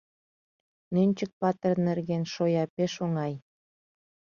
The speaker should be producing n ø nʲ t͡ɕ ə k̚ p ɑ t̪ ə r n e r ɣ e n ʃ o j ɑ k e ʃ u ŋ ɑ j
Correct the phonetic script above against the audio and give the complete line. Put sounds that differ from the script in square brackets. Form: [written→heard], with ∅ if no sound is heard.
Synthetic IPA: n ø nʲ t͡ɕ ə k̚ p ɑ t̪ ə r n e r ɣ e n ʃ o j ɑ [k→p] e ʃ [u→o] ŋ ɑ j